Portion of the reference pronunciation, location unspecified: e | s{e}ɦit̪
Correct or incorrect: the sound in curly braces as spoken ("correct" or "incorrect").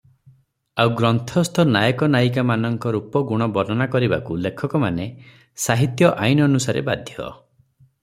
incorrect